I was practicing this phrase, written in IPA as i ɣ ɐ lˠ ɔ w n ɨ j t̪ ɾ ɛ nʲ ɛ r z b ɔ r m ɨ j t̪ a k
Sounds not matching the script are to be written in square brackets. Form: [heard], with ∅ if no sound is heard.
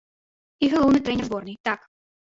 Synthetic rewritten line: i ɣ ɐ lˠ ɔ w n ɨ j t̪ ɾ ɛ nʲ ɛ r z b ɔ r [n] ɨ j t̪ a k